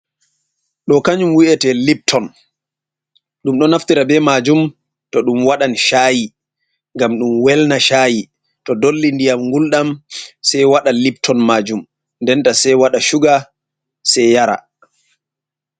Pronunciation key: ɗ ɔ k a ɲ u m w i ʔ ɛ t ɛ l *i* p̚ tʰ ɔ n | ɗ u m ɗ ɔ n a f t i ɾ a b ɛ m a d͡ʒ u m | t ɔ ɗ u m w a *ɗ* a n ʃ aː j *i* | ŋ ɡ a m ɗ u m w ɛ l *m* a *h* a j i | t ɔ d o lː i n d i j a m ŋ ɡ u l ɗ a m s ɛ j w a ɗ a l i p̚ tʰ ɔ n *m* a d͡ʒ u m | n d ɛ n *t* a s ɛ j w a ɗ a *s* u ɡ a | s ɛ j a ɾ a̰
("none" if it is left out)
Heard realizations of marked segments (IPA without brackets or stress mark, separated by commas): i, ɗ, i, n, ʃ, m, t, ʃ